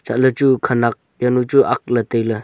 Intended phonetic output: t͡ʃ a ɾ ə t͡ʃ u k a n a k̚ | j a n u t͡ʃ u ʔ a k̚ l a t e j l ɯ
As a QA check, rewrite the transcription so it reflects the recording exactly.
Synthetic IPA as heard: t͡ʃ a l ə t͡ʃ u kʰ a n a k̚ | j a n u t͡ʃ u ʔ a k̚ l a t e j l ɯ